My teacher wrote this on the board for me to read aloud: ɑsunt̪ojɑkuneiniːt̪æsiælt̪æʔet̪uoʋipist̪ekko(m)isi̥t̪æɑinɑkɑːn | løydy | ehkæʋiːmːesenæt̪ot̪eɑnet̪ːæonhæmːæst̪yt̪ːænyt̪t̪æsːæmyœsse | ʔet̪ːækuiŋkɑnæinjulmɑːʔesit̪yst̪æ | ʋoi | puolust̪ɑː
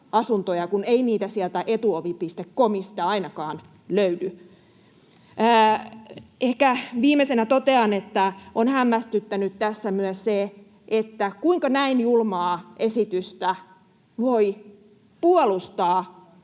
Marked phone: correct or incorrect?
correct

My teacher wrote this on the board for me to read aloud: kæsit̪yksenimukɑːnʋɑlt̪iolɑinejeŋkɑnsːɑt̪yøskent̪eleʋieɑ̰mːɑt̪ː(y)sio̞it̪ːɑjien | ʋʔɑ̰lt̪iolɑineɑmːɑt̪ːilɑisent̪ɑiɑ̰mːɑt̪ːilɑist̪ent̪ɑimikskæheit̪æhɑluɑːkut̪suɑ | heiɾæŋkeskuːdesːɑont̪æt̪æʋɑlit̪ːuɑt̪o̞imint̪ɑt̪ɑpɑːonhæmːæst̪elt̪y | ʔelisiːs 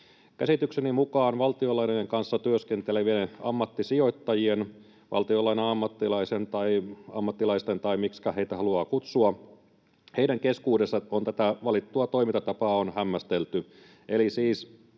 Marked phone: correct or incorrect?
incorrect: i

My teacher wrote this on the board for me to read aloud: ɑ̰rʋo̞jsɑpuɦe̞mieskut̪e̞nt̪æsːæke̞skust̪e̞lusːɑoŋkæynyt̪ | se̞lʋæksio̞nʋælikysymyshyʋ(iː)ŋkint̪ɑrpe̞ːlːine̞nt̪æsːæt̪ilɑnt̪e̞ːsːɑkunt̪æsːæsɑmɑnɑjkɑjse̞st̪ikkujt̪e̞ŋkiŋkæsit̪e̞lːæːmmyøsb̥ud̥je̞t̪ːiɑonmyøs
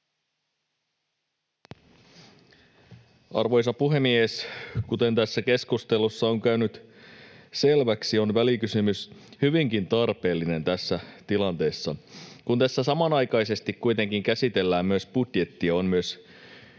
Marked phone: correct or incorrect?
incorrect: i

